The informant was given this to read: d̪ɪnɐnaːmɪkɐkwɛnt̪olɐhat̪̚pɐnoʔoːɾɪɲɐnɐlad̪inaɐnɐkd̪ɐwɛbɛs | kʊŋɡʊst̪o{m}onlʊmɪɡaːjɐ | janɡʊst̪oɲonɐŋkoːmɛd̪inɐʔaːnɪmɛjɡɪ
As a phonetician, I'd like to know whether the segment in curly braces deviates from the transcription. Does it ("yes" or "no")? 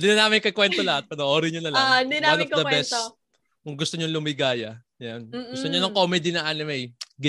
yes